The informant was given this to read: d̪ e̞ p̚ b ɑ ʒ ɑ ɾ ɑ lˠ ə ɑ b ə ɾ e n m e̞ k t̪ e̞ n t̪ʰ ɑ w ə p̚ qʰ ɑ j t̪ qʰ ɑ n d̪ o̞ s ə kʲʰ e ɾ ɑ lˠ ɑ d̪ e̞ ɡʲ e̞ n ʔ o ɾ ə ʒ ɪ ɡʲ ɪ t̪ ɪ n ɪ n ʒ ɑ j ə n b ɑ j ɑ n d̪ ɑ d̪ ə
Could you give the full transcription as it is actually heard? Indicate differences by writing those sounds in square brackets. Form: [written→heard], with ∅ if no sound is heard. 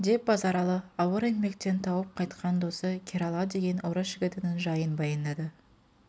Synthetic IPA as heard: d̪ e̞ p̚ b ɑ [ʒ→z] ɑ ɾ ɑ lˠ ə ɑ [b→w] ə ɾ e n m e̞ k t̪ e̞ n t̪ʰ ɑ w ə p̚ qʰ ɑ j t̪ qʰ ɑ n d̪ o̞ s ə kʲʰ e ɾ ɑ lˠ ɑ d̪ e̞ ɡʲ e̞ n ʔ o ɾ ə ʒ ɪ ɡʲ ɪ t̪ ɪ n ɪ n ʒ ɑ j ə n b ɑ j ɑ n d̪ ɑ d̪ ə